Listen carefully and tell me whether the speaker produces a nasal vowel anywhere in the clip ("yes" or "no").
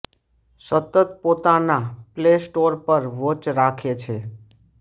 no